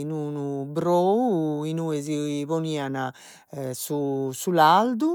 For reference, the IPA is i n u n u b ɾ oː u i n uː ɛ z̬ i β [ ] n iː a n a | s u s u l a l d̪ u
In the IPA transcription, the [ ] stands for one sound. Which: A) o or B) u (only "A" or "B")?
A